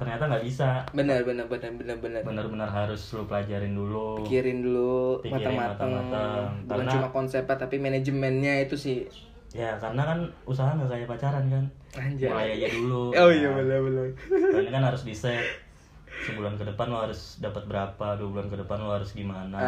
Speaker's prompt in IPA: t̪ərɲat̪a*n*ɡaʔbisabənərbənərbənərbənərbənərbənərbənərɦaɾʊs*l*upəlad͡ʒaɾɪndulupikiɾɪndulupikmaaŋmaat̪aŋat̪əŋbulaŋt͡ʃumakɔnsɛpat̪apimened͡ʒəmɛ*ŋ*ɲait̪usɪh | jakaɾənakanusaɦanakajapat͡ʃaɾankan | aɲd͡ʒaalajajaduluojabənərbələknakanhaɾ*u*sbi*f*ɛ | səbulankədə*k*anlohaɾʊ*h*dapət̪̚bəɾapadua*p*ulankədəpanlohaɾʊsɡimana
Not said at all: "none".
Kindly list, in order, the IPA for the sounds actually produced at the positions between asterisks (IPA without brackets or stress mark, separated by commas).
ŋ, l, n, ʊ, s, p, s, b